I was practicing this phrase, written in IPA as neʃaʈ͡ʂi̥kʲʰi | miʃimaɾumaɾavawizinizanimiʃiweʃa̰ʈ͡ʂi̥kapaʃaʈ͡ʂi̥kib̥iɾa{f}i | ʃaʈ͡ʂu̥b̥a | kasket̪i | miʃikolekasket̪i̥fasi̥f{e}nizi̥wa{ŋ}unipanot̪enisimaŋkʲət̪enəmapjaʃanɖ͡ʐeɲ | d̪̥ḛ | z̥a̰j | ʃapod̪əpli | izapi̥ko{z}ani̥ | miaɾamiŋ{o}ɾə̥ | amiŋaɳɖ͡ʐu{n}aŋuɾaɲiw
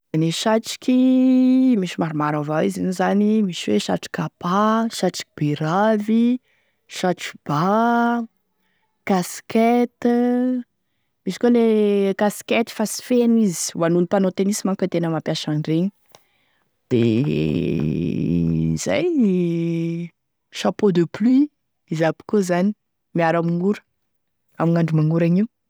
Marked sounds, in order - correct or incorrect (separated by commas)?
incorrect, correct, incorrect, correct, incorrect, incorrect